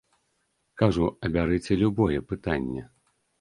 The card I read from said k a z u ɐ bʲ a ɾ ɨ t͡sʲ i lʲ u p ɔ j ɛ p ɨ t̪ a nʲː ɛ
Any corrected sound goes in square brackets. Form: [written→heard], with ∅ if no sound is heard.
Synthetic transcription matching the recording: k a [z→ʐ] u ɐ bʲ a ɾ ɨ t͡sʲ [i→ɛ] lʲ u [p→b] ɔ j ɛ p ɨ t̪ a nʲː ɛ